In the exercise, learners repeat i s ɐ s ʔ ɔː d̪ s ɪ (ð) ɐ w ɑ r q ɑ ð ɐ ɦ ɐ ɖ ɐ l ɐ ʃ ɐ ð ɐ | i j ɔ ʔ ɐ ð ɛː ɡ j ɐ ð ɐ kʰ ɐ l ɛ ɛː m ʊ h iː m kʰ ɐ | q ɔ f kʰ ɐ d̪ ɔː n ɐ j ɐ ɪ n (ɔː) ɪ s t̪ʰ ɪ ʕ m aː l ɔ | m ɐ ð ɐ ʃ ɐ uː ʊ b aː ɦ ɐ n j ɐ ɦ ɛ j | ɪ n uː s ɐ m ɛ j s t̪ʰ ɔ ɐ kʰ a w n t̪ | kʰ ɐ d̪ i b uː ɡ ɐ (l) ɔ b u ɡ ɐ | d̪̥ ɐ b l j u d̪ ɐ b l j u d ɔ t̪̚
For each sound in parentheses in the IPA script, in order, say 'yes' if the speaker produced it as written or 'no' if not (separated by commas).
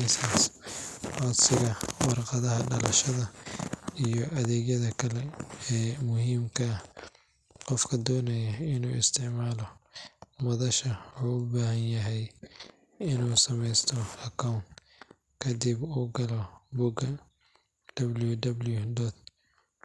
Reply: no, no, yes